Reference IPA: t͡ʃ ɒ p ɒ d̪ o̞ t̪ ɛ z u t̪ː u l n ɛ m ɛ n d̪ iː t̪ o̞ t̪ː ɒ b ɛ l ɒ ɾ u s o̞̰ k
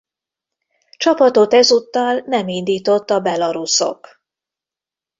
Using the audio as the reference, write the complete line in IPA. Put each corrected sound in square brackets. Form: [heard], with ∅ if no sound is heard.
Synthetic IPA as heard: t͡ʃ ɒ p ɒ [t̪] o̞ t̪ ɛ z u t̪ː [ɒ] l n ɛ m [i] n d̪ iː t̪ o̞ t̪ː ɒ b ɛ l ɒ ɾ u s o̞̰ k